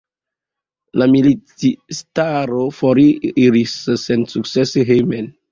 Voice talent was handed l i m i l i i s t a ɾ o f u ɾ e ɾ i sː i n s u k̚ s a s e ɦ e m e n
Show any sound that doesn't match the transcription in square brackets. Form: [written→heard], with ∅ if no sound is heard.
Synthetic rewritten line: l [i→a] m i l i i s t a ɾ o f [u→o] ɾ [e→i] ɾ i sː [i→e] n s u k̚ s [a→e] s e ɦ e m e n